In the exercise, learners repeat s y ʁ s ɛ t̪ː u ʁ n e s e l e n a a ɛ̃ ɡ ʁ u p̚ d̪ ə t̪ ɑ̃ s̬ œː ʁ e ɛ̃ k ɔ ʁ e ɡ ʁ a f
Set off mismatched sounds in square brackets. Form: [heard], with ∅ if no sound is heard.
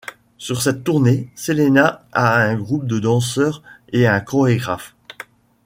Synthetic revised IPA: s y ʁ s ɛ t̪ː u ʁ n e s e l e n a a ɛ̃ ɡ ʁ u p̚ d̪ ə [d̪] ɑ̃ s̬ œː ʁ e ɛ̃ k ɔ ʁ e ɡ ʁ a f